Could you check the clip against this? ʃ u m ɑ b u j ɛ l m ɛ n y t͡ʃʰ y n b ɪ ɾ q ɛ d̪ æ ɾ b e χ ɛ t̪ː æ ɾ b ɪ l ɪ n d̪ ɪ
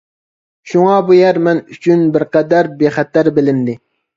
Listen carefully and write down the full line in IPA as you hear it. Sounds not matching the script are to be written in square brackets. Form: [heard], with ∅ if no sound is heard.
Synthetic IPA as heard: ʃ u [ŋ] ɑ b u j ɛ [ɾ] m ɛ n y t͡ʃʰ y n b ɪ ɾ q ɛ d̪ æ ɾ b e χ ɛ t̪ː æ ɾ b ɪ l ɪ n d̪ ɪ